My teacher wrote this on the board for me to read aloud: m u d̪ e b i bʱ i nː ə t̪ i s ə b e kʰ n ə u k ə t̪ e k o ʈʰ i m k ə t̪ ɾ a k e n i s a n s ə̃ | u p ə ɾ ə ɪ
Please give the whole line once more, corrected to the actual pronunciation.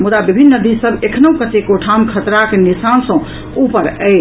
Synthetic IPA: m u d̪ a b i bʱ i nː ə d̪ i s ə b e kʰ n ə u k ə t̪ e k o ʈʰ a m kʰ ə t̪ ɾ a k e n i s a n s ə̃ | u p ə ɾ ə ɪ